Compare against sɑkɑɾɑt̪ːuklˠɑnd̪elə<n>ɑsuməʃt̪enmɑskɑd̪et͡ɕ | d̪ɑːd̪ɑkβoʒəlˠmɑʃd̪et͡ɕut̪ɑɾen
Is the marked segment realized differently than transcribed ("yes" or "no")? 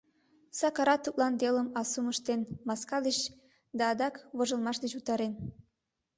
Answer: yes